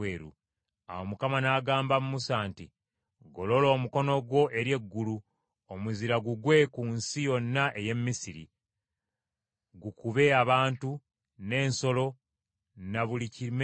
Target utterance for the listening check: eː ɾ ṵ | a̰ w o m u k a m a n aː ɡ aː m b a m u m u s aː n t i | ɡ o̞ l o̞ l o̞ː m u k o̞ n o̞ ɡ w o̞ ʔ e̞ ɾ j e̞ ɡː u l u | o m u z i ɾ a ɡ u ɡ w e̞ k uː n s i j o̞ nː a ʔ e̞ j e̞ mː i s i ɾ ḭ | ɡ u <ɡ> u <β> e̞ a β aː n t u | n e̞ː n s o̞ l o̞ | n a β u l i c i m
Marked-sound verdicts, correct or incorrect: incorrect: k, correct

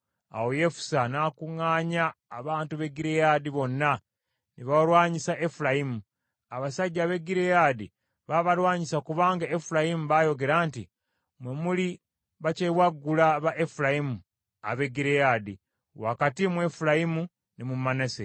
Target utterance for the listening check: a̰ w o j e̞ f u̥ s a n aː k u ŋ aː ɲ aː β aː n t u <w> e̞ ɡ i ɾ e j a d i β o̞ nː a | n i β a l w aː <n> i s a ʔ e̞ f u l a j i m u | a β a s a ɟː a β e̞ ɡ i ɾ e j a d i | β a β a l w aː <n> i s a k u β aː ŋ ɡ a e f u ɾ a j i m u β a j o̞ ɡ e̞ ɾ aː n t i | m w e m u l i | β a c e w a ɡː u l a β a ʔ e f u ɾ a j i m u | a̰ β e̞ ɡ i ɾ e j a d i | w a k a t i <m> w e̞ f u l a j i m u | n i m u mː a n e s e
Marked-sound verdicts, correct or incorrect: incorrect: β, incorrect: ɲ, incorrect: ɲ, correct

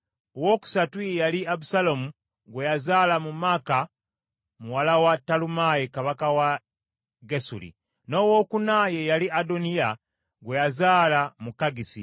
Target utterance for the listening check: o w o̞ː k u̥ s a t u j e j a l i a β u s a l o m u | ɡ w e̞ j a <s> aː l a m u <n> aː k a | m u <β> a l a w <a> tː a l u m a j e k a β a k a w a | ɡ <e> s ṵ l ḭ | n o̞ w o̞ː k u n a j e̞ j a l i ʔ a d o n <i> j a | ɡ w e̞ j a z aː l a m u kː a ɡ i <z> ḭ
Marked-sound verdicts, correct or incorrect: incorrect: z, incorrect: m, incorrect: w, correct, correct, correct, incorrect: s

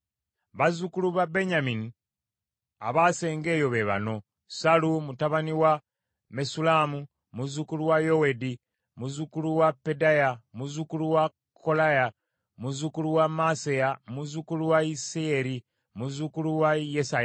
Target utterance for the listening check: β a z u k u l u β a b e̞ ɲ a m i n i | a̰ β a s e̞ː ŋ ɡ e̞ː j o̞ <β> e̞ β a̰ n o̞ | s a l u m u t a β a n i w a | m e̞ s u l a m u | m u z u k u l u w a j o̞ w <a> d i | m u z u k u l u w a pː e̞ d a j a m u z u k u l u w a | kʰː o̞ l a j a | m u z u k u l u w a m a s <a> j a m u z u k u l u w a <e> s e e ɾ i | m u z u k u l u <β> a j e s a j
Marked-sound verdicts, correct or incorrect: correct, incorrect: e, incorrect: e, incorrect: i, incorrect: w

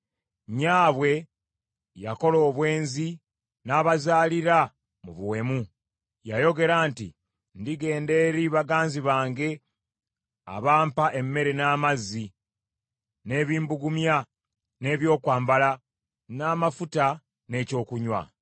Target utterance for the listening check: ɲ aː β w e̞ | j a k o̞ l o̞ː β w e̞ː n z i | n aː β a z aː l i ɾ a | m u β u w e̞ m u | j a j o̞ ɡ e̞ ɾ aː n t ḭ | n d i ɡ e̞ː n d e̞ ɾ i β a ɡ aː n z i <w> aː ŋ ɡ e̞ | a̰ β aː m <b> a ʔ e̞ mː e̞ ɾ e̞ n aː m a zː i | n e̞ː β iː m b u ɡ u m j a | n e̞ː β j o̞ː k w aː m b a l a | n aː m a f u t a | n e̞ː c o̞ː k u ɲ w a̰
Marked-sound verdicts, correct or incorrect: incorrect: β, incorrect: p

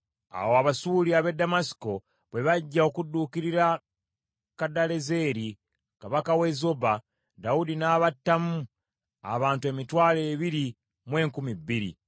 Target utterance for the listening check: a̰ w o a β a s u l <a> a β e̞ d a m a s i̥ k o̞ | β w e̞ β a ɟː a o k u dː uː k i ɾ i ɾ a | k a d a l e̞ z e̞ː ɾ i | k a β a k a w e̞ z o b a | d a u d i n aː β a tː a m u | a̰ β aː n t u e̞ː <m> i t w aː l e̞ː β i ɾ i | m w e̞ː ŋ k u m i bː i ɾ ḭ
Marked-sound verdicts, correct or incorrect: incorrect: i, correct

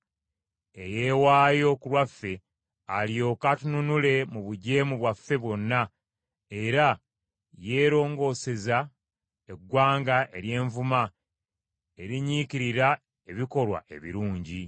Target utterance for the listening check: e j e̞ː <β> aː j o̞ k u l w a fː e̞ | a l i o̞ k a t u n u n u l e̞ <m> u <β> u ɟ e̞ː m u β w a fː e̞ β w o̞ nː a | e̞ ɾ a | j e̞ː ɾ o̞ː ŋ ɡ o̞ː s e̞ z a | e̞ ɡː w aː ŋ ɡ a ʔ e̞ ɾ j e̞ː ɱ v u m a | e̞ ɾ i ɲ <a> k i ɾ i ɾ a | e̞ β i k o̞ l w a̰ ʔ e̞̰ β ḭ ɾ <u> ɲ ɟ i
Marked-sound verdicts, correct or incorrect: incorrect: w, correct, correct, incorrect: i, incorrect: uː

